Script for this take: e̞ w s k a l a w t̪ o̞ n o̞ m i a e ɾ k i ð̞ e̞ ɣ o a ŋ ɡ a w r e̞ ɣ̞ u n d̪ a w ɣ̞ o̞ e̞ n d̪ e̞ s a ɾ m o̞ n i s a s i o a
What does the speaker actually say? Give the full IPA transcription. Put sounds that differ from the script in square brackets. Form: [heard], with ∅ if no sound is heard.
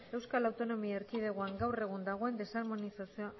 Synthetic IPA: e̞ w s k a l a w t̪ o̞ n o̞ m i a e ɾ k i ð̞ e̞ ɣ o a ŋ ɡ a w r e̞ ɣ̞ u n d̪ a [∅] ɣ̞ o̞ e̞ n d̪ e̞ s a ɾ m o̞ n i s a s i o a